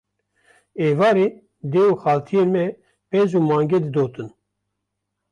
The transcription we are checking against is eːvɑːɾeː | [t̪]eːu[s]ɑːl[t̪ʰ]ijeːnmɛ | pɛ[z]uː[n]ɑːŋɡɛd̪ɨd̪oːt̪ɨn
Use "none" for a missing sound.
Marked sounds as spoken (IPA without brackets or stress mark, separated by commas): d̪, x, t̪ʰ, z, m